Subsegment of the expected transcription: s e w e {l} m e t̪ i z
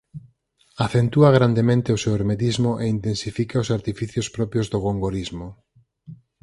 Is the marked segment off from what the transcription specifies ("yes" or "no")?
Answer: yes